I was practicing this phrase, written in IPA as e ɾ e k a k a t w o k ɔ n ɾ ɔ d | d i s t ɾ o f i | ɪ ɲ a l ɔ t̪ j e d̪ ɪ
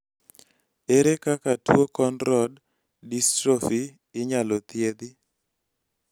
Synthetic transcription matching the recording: e ɾ e k a k a t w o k ɔ n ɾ ɔ d | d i s t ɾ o f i | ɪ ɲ a l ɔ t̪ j e d̪ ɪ